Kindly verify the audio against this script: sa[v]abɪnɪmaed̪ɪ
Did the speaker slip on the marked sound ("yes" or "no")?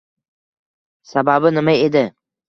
yes